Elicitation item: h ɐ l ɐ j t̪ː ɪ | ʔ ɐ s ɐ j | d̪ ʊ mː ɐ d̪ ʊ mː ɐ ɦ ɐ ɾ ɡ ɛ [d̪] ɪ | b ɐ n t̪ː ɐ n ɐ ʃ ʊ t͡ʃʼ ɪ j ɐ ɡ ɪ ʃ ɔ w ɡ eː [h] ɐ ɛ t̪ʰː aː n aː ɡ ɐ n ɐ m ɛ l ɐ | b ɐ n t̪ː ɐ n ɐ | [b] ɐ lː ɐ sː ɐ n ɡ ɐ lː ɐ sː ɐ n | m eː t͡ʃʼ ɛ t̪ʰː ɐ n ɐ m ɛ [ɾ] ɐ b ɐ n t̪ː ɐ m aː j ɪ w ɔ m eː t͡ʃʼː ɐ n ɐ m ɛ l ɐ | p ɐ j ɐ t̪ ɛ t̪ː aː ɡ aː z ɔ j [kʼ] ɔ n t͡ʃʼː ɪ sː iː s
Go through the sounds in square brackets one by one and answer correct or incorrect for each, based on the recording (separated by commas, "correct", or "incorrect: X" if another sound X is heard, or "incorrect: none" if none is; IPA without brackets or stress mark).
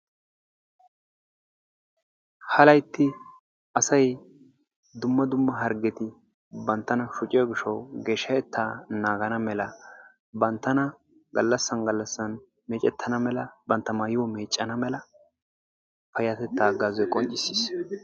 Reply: incorrect: t̪, incorrect: ʃ, incorrect: ɡ, incorrect: l, correct